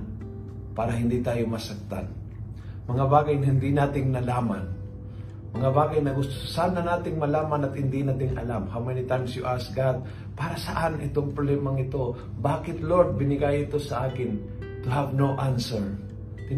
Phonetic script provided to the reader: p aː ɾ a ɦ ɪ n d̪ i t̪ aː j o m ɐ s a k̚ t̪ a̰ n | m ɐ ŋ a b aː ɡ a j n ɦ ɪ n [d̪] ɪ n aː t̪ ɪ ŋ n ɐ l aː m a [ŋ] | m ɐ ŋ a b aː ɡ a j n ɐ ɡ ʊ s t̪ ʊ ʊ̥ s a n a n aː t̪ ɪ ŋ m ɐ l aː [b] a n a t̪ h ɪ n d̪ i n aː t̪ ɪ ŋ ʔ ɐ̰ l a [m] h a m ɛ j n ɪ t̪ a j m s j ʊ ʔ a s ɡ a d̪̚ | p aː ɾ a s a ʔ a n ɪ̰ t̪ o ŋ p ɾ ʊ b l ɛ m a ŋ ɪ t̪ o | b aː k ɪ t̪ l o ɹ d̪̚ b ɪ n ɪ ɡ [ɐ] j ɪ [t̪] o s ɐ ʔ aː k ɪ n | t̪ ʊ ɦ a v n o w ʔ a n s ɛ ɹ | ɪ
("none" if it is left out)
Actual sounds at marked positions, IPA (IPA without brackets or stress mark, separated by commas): d̪, n, m, m, a, t̪